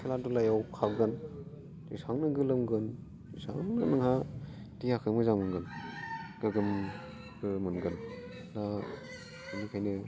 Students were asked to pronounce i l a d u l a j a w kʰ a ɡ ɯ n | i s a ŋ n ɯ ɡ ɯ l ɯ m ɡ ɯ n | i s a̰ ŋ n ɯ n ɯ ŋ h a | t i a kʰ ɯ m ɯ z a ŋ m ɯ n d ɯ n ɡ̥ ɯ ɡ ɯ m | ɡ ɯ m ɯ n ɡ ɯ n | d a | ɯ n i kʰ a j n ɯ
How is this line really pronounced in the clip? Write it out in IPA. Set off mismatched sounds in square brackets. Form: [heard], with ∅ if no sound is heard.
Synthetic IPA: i l a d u l a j a w kʰ a ɡ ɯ n | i s a ŋ n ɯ ɡ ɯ l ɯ m ɡ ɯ n | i s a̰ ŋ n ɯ n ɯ ŋ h a | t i a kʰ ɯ m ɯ z a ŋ m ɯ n [ɡ] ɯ n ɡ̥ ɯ ɡ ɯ m | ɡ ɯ m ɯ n ɡ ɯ n | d a | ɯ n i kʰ a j n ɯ